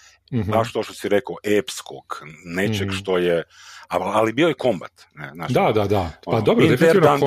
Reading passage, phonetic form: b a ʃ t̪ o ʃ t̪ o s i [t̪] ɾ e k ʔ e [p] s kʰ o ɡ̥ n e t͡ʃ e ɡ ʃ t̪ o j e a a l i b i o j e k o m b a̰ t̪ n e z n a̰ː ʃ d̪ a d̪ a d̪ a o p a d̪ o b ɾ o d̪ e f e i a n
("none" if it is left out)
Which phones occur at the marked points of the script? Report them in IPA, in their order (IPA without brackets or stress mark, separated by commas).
none, p